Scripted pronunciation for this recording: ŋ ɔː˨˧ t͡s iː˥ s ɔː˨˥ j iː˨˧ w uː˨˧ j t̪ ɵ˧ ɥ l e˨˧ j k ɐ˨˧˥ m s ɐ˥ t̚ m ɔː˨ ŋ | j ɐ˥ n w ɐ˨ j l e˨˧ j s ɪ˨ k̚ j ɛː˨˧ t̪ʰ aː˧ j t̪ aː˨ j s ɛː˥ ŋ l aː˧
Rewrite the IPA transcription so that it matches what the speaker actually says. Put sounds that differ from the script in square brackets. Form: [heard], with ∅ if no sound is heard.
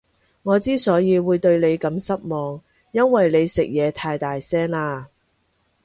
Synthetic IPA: ŋ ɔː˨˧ t͡s iː˥ s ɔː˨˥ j iː˨˧ w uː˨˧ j t̪ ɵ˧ ɥ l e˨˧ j k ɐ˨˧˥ m s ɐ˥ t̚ m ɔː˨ ŋ | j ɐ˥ n w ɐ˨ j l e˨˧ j s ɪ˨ k̚ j ɛː˨˧ t̪ʰ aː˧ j t̪ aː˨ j s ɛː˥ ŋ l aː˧